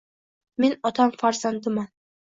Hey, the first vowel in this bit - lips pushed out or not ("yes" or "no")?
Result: no